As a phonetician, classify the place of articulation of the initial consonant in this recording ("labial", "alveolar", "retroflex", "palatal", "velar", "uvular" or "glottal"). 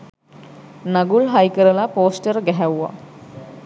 alveolar